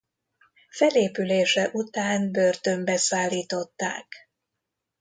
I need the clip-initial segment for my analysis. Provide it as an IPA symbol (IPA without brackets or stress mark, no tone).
f